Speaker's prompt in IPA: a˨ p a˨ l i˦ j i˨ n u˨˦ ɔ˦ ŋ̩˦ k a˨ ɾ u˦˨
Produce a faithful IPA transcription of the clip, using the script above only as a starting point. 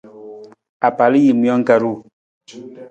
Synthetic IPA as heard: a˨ p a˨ l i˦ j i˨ m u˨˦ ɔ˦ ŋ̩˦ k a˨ ɾ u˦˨